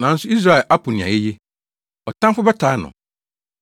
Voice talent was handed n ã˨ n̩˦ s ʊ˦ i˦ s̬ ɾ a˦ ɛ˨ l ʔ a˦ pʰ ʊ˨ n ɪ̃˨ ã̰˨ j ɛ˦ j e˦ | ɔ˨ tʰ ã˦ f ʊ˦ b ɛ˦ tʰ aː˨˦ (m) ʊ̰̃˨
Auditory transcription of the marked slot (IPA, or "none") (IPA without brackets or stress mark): n